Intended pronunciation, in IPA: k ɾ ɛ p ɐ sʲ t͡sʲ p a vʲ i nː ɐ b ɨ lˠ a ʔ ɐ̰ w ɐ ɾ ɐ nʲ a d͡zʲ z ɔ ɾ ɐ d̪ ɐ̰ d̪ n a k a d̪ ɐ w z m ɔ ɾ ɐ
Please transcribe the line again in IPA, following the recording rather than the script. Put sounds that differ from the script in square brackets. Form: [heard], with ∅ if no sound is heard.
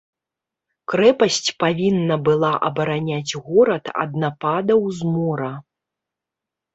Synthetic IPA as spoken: k ɾ ɛ p ɐ sʲ t͡sʲ p a vʲ i nː ɐ b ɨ lˠ a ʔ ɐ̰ [b] ɐ ɾ [a] nʲ a d͡zʲ [ɣ] ɔ ɾ ɐ [t̪] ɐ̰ d̪ n a [p] a d̪ ɐ w z m ɔ ɾ ɐ